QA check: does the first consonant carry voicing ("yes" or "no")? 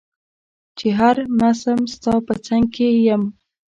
no